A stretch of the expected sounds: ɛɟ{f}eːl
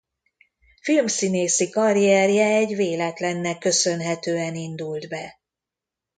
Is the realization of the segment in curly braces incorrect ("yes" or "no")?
yes